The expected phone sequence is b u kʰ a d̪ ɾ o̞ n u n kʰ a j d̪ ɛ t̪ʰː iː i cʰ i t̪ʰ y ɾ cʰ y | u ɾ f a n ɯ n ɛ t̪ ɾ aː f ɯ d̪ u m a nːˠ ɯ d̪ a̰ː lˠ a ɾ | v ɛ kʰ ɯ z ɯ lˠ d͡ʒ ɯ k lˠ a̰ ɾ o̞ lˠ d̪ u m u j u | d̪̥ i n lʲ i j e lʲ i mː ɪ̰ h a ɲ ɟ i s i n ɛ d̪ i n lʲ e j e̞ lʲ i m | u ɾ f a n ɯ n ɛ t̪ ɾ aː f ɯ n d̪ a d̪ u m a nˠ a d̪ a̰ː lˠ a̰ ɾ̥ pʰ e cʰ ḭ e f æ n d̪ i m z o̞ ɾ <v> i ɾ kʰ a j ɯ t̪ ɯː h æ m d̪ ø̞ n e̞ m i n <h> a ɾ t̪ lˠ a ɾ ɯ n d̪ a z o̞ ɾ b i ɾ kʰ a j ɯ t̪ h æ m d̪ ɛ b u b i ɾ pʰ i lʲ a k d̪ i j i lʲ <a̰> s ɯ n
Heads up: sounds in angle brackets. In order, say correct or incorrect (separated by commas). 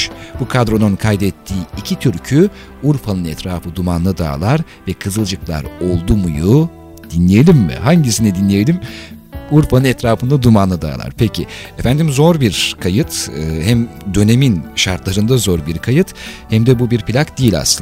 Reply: incorrect, incorrect, correct